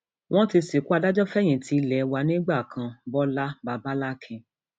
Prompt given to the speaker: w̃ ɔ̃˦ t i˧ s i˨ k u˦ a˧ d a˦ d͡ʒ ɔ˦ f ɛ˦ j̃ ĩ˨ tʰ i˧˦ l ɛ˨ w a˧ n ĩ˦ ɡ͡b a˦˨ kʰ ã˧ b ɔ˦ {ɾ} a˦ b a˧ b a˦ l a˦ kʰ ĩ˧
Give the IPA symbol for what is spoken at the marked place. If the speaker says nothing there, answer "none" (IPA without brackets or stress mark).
l